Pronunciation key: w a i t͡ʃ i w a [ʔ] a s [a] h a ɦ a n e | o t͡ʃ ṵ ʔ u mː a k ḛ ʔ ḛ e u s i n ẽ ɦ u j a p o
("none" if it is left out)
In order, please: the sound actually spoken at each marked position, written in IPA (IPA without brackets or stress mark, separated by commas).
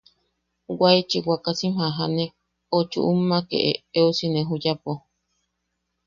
k, i